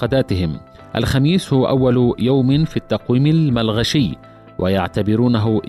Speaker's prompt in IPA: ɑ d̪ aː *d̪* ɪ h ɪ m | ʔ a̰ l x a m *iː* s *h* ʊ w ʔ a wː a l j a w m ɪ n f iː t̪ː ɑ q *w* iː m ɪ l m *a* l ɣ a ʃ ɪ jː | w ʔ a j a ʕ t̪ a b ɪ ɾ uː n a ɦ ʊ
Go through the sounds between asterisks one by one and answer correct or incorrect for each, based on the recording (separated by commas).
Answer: incorrect, correct, correct, correct, correct